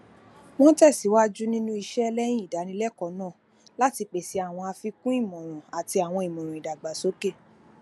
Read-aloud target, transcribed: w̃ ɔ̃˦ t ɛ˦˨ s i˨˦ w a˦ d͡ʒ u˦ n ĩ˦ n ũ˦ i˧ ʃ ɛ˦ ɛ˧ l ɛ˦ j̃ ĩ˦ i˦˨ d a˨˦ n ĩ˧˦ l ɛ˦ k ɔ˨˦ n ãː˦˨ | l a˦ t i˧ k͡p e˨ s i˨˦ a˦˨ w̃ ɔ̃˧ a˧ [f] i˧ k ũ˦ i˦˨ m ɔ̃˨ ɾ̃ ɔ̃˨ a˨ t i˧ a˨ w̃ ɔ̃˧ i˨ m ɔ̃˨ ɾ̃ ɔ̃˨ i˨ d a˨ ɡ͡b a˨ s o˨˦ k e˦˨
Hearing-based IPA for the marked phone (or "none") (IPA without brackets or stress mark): f